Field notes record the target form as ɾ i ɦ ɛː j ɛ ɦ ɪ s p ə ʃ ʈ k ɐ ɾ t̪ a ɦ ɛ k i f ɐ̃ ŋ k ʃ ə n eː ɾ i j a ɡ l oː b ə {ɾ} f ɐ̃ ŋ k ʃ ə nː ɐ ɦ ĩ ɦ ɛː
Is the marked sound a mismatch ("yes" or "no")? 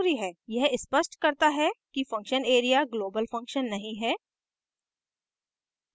yes